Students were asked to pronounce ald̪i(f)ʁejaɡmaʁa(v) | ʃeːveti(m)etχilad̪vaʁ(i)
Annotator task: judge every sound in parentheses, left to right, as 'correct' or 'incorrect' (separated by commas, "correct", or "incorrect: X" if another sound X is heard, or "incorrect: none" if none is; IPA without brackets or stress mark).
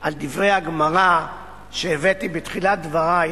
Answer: incorrect: v, incorrect: none, incorrect: b, incorrect: a